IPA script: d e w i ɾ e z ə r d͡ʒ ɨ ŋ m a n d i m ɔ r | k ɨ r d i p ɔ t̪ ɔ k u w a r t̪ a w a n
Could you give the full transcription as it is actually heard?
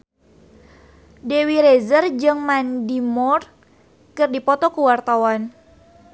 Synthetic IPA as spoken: d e w i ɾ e z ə r d͡ʒ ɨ ŋ m a n d i m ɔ r | k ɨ r d i p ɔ t̪ ɔ k u w a r t̪ a w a n